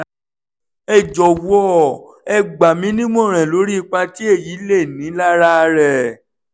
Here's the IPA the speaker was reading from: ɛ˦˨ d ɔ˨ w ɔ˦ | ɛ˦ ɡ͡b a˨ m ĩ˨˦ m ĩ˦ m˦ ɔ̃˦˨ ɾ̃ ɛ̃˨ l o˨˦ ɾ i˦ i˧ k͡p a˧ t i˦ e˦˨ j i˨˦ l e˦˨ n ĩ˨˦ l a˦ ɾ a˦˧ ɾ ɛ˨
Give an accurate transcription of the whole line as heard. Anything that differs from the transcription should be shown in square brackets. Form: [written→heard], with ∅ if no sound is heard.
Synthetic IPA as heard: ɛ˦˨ [d→d͡ʒ] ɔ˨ w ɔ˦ | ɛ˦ ɡ͡b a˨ m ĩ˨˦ [m→n] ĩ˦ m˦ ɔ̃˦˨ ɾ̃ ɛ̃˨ l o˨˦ ɾ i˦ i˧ k͡p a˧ t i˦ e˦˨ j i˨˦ l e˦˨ n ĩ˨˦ l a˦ ɾ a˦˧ ɾ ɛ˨